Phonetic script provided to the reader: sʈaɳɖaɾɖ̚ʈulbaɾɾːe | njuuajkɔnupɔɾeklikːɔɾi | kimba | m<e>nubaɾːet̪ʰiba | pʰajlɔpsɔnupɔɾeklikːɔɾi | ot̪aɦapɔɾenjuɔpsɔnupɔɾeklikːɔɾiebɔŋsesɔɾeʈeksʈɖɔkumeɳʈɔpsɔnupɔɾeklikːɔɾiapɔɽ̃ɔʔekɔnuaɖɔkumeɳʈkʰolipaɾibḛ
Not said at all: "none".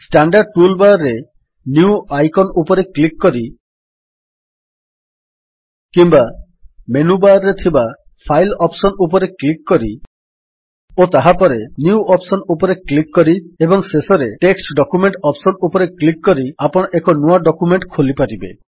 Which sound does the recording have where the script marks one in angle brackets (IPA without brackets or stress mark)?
e